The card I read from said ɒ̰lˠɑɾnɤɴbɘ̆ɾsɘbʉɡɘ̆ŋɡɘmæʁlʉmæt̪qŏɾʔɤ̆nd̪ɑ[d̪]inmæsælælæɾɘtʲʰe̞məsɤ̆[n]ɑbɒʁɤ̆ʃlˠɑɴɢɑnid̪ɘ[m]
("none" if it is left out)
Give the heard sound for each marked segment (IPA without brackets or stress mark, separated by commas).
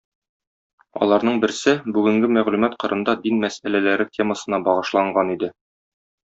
d̪, n, none